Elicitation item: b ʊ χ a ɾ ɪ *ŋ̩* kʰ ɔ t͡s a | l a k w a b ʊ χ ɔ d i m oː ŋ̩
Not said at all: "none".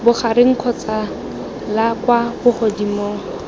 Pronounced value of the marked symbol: ŋ̩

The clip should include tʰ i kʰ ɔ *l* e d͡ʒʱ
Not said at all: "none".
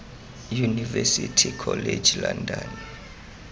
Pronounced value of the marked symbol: l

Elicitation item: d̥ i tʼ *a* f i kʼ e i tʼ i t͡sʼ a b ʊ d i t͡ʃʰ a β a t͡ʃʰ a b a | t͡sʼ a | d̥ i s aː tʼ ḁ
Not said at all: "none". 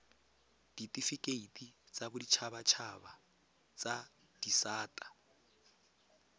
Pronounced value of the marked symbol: i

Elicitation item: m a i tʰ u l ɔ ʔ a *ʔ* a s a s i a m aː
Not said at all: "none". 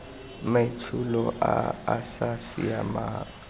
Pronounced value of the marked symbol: none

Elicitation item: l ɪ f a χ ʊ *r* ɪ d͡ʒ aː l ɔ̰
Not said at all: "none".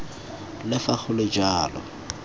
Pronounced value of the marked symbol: l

